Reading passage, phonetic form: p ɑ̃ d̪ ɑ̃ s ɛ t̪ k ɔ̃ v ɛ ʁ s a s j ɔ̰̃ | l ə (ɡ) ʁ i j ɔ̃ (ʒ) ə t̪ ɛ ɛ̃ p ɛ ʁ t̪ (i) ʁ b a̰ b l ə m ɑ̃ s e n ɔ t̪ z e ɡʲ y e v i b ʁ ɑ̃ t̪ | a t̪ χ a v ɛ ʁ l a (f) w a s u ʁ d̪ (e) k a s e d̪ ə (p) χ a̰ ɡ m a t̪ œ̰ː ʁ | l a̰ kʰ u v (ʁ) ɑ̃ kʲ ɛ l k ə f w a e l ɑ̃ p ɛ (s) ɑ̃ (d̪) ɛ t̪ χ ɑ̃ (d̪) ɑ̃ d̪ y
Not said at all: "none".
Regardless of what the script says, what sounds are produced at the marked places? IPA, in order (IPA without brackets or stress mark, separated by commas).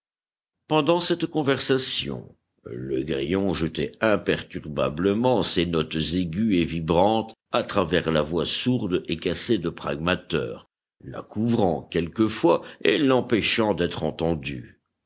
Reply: ɡ, ʒ, y, v, e, p, ʁ, ʃ, d̪, t̪